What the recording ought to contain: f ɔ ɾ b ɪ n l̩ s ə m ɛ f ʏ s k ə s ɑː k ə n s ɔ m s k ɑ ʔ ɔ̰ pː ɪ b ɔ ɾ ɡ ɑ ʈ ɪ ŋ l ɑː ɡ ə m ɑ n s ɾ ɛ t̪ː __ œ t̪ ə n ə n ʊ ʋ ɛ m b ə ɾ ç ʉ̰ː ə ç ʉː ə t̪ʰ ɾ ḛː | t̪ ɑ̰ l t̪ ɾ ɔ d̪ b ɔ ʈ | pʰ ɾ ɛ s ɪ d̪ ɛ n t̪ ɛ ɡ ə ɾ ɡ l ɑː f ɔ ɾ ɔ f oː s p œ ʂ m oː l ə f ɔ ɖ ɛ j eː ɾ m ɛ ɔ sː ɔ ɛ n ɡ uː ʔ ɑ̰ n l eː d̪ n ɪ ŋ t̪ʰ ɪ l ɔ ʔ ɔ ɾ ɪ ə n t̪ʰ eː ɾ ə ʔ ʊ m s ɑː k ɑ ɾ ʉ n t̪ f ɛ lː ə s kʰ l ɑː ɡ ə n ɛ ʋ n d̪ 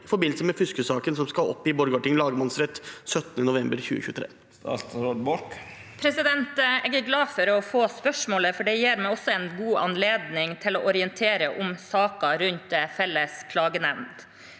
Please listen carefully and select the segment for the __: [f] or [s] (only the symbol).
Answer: s